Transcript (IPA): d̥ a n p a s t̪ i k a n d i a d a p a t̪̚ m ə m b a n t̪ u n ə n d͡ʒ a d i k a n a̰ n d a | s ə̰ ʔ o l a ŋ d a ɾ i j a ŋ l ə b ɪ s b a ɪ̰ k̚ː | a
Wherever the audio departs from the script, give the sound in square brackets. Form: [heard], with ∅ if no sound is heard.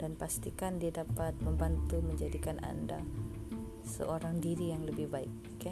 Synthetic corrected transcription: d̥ a n p a s t̪ i k a n d i a d a p a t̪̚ m ə m b a n t̪ u [m] ə [ɲ] d͡ʒ a d i k a n a̰ n d a | s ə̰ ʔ o [ɾ] a ŋ d [i] ɾ i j a ŋ l ə b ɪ [h] b a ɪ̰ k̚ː | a